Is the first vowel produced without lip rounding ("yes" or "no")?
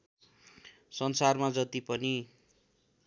yes